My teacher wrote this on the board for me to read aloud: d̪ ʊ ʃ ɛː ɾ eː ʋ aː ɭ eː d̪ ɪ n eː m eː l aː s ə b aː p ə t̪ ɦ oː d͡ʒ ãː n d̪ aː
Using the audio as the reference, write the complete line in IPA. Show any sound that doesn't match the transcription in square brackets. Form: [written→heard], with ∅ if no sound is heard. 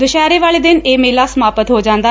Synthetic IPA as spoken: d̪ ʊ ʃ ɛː ɾ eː ʋ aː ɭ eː d̪ ɪ n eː m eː l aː s ə [b→m] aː p ə t̪ ɦ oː d͡ʒ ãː n d̪ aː